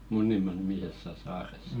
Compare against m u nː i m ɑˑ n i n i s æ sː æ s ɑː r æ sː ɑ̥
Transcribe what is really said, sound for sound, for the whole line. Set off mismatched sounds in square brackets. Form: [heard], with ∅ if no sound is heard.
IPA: m u nː i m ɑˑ n i [m] i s [e] sː æ s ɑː r [e] sː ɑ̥